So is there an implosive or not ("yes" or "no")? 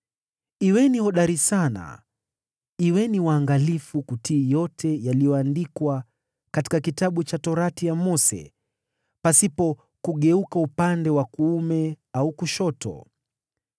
yes